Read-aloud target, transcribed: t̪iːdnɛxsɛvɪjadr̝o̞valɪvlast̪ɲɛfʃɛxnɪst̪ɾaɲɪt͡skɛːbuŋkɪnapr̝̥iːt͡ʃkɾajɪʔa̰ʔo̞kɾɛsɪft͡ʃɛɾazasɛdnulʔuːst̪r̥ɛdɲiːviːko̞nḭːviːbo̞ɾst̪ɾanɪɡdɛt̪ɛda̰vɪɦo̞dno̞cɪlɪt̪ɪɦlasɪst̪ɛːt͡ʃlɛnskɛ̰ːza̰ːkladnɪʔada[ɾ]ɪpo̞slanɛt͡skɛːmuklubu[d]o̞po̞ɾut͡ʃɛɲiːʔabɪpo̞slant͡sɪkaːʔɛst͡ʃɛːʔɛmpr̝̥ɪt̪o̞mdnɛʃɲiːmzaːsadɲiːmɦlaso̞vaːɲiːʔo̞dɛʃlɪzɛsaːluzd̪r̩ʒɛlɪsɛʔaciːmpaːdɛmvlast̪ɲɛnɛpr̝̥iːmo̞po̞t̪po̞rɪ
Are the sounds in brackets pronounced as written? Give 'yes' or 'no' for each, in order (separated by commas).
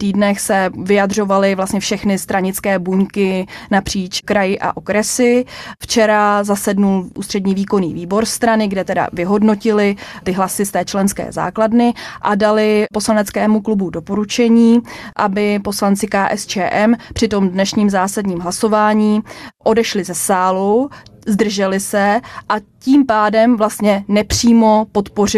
no, yes